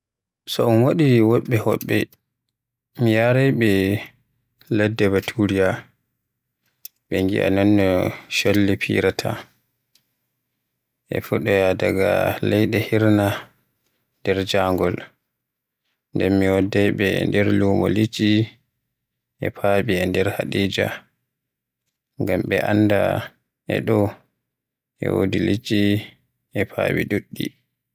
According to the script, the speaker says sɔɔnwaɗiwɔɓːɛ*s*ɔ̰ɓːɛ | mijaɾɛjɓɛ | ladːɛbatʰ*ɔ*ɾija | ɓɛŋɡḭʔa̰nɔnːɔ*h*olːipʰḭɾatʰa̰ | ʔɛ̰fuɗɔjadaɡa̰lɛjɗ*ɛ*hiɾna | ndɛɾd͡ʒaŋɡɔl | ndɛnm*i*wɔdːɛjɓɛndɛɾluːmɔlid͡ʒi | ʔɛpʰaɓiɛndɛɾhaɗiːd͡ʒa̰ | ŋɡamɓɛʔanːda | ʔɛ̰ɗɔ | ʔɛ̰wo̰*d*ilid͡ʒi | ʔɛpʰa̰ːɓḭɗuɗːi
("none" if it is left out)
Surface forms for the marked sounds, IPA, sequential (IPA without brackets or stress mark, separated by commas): h, u, ʃ, ɛ, i, d